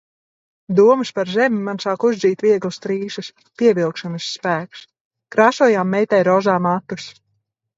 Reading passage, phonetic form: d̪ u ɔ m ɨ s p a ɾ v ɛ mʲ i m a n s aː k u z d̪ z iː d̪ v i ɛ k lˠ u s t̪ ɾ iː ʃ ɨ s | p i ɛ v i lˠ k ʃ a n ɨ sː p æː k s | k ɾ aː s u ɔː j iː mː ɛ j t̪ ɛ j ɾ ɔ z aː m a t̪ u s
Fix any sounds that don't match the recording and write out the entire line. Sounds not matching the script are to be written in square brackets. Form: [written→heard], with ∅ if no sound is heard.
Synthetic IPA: d̪ u ɔ m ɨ s p a ɾ [v→z] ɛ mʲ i m a n s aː k u z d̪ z iː [d̪→t̪] v i ɛ [k→ɡ] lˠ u s t̪ ɾ iː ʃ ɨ s | p i ɛ v i lˠ k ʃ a n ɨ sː p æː k s | k ɾ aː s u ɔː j [iː→aː] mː ɛ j t̪ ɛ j ɾ ɔ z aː m a t̪ u s